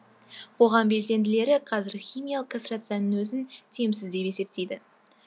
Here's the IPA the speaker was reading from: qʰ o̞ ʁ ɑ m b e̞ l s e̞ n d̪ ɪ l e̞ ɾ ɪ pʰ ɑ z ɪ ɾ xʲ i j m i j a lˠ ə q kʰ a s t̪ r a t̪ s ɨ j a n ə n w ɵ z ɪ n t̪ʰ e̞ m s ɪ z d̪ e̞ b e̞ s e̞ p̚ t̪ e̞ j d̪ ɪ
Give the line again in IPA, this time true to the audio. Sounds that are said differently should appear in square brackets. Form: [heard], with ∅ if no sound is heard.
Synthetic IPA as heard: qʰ o̞ ʁ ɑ m b e̞ l s e̞ n d̪ ɪ l e̞ ɾ ɪ [qʰ] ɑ z ɪ ɾ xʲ i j m i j a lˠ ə q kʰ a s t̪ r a t̪ s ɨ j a n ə n w ɵ z ɪ n t̪ʰ e̞ m s ɪ z d̪ e̞ [p] e̞ s e̞ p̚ t̪ e̞ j d̪ ɪ